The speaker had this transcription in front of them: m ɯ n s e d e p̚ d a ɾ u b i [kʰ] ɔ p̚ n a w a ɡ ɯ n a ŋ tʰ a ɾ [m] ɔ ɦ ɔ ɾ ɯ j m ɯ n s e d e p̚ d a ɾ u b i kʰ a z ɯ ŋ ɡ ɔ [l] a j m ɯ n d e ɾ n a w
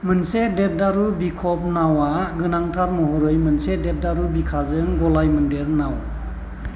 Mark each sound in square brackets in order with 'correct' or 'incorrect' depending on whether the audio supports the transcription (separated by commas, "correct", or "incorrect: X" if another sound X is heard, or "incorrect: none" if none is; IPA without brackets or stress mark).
correct, correct, correct